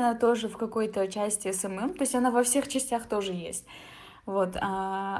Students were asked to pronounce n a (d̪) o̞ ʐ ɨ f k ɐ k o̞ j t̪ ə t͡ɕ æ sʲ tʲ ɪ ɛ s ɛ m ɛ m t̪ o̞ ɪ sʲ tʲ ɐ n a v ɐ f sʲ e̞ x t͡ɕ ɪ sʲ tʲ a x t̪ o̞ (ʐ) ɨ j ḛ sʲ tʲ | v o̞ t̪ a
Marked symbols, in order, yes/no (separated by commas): no, yes